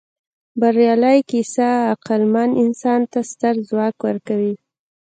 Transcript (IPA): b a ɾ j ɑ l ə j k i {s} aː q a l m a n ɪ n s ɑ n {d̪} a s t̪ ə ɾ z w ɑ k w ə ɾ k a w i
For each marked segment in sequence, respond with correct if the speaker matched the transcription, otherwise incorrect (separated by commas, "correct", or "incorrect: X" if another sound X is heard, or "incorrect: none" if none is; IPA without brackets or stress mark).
correct, incorrect: t̪